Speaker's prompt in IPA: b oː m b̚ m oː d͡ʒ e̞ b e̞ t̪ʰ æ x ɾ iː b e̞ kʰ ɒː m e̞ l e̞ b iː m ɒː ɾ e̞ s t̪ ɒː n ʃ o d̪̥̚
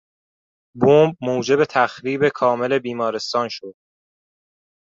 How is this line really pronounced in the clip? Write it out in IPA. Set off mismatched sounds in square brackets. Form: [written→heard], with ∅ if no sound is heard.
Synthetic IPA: b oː m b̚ m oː d͡ʒ e̞ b e̞ t̪ʰ æ x ɾ iː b e̞ kʰ ɒː m e̞ l e̞ b iː m ɒː ɾ e̞ s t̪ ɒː n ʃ o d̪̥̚